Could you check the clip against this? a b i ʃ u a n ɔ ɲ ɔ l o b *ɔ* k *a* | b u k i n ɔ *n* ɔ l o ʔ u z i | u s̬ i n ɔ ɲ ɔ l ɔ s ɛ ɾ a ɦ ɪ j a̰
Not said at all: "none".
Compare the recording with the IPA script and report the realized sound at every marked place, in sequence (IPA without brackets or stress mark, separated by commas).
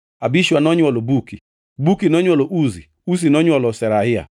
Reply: u, i, ɲ